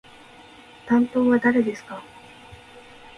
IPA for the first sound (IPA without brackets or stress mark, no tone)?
t̪